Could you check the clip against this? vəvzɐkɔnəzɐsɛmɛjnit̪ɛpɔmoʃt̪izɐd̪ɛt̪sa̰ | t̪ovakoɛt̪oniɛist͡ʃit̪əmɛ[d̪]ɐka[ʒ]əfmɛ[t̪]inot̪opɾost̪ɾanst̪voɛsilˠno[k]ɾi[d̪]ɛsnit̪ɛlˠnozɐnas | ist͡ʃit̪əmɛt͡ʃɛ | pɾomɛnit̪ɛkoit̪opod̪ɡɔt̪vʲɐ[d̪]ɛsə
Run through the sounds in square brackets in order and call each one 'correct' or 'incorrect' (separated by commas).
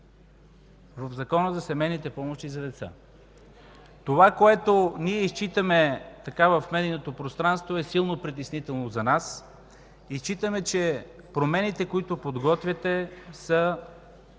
incorrect, incorrect, incorrect, incorrect, incorrect, incorrect